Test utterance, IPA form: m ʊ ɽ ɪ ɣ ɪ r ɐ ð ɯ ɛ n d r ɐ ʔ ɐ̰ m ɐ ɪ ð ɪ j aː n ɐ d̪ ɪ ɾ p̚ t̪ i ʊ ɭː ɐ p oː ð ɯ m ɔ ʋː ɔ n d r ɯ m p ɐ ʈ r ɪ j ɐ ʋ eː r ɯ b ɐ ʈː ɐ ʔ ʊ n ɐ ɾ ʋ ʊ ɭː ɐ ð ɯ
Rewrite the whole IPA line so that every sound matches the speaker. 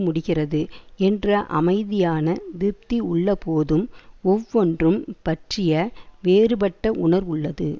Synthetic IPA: m ʊ ɽ ɪ ɣ ɪ r ɐ ð ɯ ɛ n d r ɐ ʔ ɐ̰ m ɐ ɪ ð ɪ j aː n ɐ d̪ ɪ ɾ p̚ t̪ i ʊ ɭː ɐ p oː ð ɯ m ɔ ʋː ɔ n d r ɯ m p ɐ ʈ r ɪ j ɐ ʋ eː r ɯ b ɐ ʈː ɐ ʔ ʊ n ɐ ɾ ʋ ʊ ɭː ɐ ð ɯ